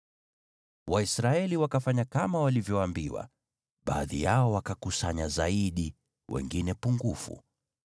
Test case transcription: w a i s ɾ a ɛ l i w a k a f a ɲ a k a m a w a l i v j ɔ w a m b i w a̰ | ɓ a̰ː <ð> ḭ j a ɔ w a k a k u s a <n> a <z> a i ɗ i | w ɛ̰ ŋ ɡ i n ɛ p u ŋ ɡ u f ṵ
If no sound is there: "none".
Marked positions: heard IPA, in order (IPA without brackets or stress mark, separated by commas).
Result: ð, ɲ, z